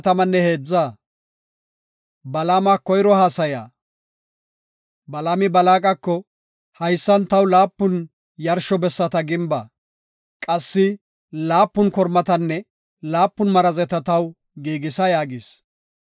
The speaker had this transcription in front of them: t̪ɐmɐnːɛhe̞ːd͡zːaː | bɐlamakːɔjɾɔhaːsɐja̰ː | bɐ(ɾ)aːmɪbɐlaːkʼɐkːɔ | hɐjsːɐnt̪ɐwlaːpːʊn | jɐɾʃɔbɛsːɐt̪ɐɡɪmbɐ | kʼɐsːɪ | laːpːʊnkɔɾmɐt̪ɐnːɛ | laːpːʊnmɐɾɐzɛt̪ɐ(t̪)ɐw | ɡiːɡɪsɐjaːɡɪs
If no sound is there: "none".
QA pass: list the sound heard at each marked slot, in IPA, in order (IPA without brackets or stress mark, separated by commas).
l, t̪